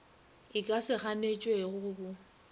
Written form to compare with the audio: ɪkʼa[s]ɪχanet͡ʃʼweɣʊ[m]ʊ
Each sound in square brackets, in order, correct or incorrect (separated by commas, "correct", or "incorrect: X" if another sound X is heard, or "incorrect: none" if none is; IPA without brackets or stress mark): correct, incorrect: b